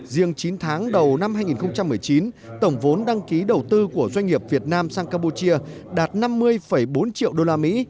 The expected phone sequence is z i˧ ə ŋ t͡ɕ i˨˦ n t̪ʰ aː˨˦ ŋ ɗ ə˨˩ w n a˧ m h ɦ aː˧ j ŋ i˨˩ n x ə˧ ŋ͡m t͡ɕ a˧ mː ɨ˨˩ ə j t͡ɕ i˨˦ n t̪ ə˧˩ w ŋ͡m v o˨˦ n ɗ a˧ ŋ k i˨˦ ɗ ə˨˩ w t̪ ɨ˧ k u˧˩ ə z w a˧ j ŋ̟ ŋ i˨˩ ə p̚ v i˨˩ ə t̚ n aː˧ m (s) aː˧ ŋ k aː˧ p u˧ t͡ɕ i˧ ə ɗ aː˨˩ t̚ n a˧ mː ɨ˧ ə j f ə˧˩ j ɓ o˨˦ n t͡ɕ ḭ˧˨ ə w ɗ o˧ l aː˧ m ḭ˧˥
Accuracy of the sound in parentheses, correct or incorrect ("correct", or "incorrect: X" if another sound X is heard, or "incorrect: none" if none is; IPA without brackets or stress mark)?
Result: correct